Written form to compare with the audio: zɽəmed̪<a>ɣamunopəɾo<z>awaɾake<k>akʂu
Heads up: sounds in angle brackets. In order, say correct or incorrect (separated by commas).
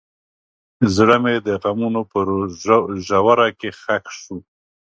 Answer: incorrect, incorrect, incorrect